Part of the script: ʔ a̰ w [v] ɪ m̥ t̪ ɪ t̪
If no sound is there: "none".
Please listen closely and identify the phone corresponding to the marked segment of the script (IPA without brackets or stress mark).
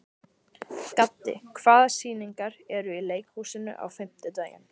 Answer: f